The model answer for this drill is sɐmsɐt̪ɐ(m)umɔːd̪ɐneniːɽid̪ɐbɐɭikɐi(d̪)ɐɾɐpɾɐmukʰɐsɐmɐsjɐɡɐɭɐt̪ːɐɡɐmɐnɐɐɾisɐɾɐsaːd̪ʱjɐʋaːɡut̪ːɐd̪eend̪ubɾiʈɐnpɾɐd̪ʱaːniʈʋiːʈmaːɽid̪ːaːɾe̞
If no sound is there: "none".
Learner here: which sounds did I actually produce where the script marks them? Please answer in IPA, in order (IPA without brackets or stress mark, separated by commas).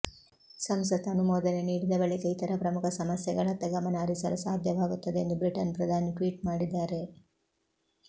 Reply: n, t̪